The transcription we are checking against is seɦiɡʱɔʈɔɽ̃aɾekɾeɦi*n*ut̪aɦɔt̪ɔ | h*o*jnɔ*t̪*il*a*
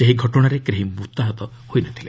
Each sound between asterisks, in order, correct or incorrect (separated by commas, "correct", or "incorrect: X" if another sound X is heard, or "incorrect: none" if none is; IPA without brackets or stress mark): incorrect: m, correct, incorrect: t̪ʰ, incorrect: e